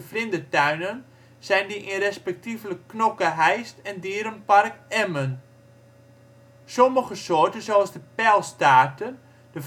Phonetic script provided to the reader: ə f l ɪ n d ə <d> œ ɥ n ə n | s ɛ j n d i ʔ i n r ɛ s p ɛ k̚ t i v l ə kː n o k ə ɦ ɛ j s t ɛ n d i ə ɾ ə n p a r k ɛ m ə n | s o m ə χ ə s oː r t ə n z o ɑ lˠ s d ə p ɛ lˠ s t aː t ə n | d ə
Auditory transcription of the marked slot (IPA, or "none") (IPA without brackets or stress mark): t